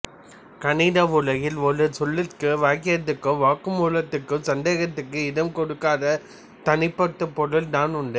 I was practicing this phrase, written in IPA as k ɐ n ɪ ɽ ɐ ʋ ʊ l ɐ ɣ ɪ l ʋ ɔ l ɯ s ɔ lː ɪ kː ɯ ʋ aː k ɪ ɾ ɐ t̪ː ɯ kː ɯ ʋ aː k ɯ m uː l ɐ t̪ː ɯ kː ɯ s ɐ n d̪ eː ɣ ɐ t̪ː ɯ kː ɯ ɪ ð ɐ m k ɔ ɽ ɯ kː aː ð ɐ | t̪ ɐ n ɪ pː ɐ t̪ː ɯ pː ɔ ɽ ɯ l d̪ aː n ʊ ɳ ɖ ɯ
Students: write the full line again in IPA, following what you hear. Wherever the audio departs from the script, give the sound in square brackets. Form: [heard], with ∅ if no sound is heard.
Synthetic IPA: k ɐ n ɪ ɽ ɐ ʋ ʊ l ɐ ɣ ɪ l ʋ ɔ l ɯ s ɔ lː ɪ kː ɯ ʋ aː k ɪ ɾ ɐ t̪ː ɯ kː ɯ ʋ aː k ɯ m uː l ɐ t̪ː ɯ kː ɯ s ɐ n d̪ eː ɣ ɐ t̪ː ɯ kː ɯ ɪ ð ɐ m k ɔ ɽ ɯ kː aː ð ɐ | t̪ ɐ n ɪ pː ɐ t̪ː ɯ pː ɔ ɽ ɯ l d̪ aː n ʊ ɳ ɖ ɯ